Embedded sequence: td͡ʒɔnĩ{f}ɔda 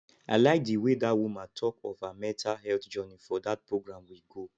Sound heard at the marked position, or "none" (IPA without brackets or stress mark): f